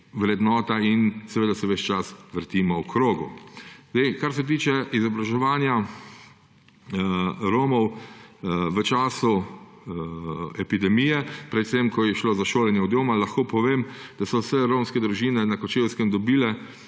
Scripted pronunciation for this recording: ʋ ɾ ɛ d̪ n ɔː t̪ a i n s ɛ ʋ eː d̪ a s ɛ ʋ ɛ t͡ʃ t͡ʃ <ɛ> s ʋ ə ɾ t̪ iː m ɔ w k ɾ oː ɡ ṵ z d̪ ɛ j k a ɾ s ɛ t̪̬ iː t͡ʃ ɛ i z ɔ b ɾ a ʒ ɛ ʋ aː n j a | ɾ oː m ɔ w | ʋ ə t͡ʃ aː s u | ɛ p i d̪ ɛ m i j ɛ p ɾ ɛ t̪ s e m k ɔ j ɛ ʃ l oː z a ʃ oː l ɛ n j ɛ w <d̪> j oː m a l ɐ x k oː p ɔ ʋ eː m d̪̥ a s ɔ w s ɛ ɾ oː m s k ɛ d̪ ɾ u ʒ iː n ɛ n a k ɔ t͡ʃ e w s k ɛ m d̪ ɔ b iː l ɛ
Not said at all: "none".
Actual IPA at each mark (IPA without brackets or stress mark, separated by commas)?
a, d̪